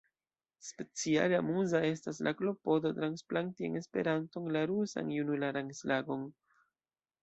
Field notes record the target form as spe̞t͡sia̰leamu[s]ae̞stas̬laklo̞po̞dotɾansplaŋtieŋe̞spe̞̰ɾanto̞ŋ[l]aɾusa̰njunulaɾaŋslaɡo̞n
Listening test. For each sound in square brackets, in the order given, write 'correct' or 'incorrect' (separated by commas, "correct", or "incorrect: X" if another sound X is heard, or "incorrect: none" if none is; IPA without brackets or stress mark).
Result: incorrect: z, correct